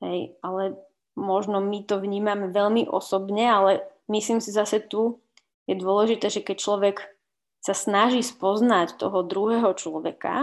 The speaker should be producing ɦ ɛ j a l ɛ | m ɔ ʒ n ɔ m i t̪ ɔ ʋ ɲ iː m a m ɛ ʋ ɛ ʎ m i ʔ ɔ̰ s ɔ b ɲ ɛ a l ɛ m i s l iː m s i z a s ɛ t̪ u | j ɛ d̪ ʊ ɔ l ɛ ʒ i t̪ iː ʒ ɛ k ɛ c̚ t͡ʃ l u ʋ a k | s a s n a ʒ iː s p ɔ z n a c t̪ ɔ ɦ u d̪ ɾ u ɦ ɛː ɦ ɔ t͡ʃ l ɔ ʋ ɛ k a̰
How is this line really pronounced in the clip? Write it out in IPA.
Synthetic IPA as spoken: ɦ ɛ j a l ɛ | m ɔ ʒ n ɔ m i t̪ ɔ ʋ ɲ iː m a m ɛ ʋ ɛ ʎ m i ʔ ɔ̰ s ɔ b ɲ ɛ a l ɛ m i s l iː m s i z a s ɛ t̪ u | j ɛ d̪ ʊ ɔ l ɛ ʒ i t̪ ɛː ʒ ɛ k ɛ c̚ t͡ʃ l ɔ ʋ ɛ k | s a s n a ʒ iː s p ɔ z n a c t̪ ɔ ɦ ɔ d̪ ɾ u ɦ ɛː ɦ ɔ t͡ʃ l ɔ ʋ ɛ k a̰